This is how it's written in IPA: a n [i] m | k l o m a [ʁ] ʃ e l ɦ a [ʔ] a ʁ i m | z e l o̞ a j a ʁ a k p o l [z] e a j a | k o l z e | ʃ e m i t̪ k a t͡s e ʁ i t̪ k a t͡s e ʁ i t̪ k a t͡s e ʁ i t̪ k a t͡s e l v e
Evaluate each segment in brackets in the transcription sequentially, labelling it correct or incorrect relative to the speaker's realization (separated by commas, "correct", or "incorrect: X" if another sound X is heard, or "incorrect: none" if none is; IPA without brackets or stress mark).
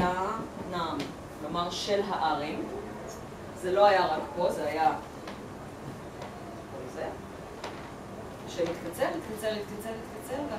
incorrect: a, correct, correct, correct